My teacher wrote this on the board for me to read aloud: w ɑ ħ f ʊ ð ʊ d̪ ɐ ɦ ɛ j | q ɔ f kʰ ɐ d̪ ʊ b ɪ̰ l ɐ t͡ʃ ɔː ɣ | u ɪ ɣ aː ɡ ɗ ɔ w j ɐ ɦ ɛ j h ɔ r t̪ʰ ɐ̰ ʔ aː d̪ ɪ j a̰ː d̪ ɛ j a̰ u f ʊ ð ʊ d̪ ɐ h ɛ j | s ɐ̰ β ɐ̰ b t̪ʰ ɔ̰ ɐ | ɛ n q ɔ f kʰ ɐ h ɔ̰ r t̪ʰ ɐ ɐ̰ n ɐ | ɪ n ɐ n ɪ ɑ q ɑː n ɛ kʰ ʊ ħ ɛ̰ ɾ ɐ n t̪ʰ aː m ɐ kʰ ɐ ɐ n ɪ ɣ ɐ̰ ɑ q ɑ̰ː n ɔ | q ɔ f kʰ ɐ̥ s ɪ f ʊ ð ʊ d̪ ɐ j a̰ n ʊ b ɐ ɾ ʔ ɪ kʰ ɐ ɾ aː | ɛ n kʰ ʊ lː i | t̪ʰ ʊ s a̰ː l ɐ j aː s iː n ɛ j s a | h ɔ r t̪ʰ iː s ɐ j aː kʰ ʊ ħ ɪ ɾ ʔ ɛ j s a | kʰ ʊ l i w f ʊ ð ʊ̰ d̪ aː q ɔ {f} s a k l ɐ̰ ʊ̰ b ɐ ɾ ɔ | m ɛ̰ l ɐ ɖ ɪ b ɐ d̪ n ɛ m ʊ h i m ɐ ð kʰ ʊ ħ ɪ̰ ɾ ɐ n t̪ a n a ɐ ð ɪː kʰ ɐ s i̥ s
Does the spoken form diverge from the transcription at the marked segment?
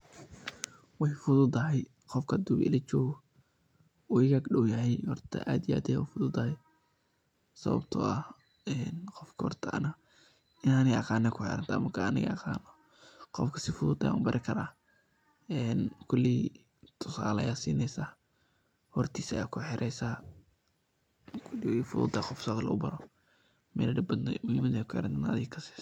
no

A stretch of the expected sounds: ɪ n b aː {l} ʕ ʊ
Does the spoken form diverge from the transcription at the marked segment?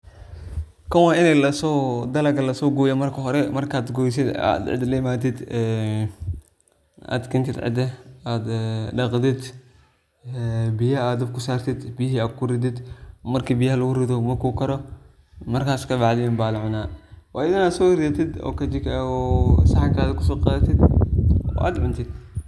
no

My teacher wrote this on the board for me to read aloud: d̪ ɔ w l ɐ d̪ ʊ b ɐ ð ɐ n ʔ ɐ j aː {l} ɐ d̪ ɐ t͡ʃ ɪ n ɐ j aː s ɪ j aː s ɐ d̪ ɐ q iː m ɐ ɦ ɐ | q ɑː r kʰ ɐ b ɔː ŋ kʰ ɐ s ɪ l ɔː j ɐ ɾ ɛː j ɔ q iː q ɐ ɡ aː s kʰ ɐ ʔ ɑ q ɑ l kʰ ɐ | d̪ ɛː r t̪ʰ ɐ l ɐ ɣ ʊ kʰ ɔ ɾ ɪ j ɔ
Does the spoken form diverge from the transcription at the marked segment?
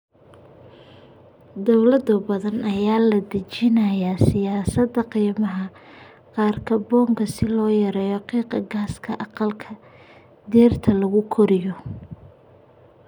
no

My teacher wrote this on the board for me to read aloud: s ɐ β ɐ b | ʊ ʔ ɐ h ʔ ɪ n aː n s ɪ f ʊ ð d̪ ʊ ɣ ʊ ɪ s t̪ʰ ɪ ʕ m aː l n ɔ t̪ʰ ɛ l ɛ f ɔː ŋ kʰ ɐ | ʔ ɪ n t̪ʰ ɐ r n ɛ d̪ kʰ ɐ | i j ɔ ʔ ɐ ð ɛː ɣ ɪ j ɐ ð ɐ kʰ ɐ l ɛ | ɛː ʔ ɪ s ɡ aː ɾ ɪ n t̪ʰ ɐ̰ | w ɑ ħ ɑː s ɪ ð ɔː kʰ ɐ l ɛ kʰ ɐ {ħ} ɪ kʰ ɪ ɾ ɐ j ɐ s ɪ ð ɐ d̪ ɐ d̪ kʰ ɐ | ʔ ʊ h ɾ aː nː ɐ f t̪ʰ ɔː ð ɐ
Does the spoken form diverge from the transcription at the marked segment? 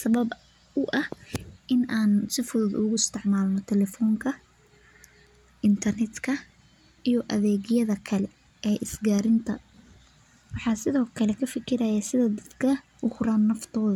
yes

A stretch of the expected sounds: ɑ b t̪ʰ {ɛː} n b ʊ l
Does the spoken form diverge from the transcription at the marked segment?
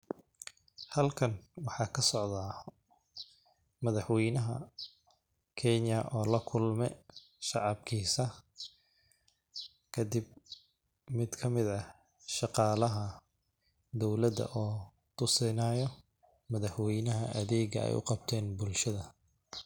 no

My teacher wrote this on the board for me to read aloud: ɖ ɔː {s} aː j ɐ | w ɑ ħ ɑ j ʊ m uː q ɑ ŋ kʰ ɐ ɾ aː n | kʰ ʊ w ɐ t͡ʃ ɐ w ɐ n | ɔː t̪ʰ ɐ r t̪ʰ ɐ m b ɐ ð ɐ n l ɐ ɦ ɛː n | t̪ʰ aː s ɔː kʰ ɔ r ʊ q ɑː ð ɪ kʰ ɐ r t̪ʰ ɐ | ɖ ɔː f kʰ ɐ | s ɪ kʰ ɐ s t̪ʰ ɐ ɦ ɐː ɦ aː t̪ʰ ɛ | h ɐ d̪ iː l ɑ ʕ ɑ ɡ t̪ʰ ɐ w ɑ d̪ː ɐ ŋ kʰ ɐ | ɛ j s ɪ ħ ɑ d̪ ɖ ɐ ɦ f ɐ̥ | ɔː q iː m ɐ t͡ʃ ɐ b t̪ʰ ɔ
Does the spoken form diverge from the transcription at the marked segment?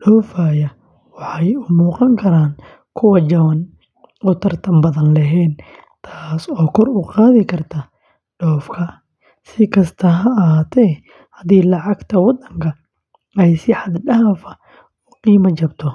yes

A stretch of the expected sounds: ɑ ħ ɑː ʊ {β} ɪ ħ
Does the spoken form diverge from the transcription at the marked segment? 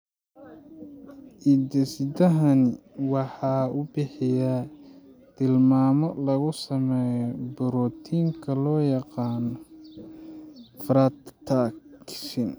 yes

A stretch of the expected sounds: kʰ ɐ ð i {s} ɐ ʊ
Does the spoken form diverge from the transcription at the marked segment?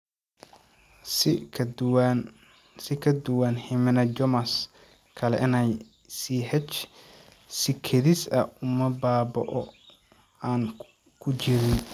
no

